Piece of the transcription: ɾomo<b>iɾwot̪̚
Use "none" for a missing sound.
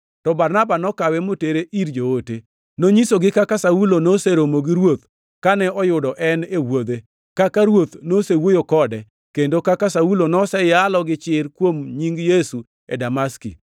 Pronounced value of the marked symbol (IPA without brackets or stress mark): ɡ